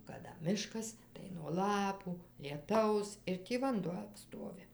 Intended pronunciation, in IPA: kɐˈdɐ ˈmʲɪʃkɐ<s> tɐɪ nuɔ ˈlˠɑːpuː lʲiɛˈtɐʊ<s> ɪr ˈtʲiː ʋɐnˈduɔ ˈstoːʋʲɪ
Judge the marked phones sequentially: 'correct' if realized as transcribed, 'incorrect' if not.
correct, correct

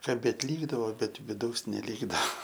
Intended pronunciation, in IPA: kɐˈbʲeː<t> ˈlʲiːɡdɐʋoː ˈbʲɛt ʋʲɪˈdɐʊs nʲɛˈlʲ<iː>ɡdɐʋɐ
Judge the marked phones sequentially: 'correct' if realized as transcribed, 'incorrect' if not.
correct, correct

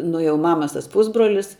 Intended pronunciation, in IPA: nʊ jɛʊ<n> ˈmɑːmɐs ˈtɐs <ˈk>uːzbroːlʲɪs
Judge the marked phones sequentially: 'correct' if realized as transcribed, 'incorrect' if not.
incorrect, incorrect

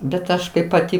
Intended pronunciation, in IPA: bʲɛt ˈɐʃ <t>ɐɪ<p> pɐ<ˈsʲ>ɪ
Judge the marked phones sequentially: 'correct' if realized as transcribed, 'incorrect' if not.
incorrect, correct, incorrect

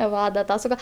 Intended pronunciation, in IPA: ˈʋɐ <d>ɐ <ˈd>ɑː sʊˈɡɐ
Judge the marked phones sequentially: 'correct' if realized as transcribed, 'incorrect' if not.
correct, incorrect

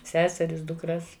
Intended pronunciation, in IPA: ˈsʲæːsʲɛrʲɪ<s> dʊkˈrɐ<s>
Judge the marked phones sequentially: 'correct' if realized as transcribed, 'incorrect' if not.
correct, correct

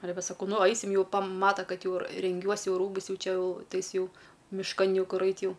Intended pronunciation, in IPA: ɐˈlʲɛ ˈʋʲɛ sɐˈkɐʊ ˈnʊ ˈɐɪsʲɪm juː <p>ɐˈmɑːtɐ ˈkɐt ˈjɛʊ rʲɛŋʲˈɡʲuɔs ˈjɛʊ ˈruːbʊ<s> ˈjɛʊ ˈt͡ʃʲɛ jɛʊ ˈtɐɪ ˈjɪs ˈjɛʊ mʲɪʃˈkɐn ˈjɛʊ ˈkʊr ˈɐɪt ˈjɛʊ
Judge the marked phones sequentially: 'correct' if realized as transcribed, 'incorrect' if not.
correct, correct

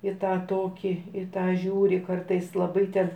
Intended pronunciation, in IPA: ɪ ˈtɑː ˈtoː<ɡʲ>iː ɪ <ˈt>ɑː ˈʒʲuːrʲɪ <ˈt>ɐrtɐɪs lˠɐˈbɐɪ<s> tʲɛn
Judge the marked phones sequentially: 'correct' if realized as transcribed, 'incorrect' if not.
incorrect, correct, incorrect, incorrect

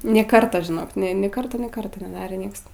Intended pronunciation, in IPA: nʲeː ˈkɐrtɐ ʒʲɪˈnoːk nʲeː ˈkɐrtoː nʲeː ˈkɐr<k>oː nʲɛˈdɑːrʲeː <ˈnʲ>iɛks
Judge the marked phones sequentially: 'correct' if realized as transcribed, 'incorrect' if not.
incorrect, correct

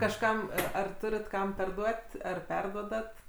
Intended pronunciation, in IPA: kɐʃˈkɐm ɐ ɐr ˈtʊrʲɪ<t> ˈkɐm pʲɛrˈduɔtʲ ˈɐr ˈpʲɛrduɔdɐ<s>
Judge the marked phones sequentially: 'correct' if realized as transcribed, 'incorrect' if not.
correct, incorrect

